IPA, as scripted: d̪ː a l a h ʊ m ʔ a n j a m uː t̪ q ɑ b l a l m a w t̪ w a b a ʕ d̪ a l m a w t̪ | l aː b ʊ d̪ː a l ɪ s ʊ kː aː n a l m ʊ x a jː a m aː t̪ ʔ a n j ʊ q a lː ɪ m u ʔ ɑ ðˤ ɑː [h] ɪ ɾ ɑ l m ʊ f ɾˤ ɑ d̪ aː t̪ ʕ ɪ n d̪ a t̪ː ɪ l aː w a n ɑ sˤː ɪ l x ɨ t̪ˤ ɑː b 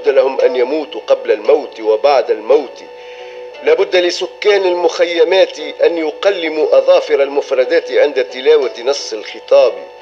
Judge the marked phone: incorrect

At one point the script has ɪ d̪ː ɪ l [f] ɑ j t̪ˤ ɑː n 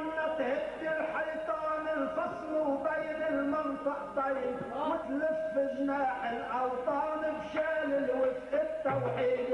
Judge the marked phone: incorrect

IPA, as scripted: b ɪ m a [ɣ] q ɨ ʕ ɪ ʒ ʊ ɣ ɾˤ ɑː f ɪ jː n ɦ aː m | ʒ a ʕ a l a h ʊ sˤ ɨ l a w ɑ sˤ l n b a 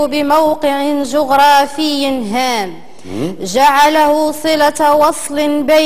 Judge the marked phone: incorrect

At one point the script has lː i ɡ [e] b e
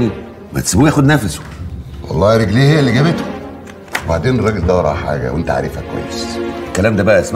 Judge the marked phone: incorrect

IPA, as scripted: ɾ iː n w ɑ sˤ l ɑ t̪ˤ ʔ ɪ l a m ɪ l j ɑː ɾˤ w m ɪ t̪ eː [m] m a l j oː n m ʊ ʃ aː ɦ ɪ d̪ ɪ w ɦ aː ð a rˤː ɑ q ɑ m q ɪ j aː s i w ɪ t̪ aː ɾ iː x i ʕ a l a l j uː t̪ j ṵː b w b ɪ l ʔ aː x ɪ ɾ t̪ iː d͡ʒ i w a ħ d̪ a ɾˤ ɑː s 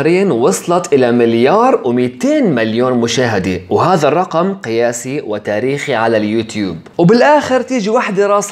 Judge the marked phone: incorrect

